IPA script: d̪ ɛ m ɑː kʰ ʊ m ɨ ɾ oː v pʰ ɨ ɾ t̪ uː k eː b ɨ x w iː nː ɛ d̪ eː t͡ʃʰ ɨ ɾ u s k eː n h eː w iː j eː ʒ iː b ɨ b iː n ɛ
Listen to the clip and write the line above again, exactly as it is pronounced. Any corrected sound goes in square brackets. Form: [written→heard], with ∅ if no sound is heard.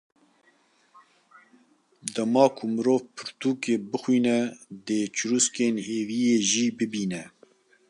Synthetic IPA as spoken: d̪ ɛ m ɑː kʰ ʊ m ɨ ɾ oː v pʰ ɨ ɾ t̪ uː k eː b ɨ x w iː [nː→n] ɛ d̪ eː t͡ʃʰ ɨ ɾ u s k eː n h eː [w→v] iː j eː ʒ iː b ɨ b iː n ɛ